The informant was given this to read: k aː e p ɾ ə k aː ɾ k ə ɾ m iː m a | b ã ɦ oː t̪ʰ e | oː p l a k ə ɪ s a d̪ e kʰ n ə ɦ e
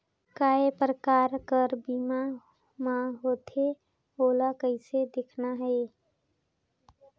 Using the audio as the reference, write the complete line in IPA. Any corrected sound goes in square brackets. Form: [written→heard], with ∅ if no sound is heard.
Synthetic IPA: k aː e p ɾ ə k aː ɾ k ə ɾ [m→b] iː m a | [b→m] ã ɦ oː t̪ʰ e | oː [p→∅] l a k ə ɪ s [a→e] d̪ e kʰ n [ə→a] ɦ e